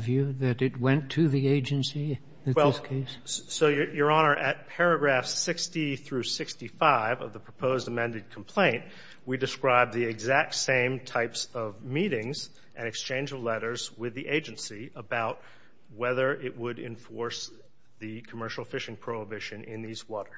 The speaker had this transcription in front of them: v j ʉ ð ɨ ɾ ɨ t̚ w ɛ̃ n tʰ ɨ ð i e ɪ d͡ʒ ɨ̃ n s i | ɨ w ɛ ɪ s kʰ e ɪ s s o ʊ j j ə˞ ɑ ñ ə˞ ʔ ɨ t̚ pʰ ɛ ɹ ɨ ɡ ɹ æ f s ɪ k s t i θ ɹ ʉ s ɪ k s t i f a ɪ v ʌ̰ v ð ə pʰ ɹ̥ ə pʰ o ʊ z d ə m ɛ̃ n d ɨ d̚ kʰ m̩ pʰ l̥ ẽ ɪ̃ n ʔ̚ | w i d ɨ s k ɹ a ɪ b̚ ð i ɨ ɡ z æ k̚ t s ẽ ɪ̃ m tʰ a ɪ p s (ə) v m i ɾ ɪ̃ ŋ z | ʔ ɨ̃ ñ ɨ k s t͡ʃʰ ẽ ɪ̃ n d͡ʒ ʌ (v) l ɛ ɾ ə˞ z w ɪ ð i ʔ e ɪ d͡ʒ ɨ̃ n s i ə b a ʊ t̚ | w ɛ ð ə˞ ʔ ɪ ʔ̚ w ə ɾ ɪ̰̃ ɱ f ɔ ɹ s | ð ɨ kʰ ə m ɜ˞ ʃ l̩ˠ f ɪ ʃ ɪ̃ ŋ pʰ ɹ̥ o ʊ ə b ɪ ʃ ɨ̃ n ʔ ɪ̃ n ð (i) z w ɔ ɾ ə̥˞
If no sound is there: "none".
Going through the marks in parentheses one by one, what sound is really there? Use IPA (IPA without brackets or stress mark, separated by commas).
ʌ, v, i